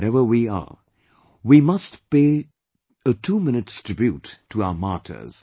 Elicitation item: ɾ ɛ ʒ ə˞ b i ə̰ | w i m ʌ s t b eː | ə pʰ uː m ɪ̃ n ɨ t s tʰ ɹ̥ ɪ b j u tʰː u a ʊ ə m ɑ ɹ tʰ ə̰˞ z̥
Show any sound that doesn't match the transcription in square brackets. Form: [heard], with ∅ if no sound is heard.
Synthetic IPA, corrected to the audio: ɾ ɛ [v] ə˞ [w] i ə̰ | w i m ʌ s t [p] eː | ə [tʰ] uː m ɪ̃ n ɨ t s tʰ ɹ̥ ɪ b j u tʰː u a ʊ ə m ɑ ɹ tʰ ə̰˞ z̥